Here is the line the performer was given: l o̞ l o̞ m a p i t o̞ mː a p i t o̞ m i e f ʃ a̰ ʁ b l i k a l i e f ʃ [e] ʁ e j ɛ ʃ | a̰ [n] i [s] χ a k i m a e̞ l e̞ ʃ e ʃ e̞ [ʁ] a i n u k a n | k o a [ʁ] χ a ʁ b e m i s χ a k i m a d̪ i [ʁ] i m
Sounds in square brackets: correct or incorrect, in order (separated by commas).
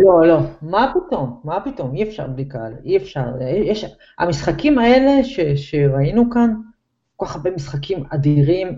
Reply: incorrect, incorrect, correct, correct, incorrect, correct